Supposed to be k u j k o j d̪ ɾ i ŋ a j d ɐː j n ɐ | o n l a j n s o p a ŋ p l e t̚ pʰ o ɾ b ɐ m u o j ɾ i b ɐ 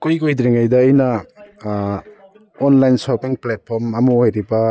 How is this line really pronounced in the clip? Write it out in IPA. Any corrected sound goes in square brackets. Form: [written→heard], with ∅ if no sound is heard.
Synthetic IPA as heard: k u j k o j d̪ ɾ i ŋ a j d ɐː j n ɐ | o n l a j n s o p [a→i] ŋ p l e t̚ pʰ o ɾ [b→m] ɐ m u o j ɾ i b ɐ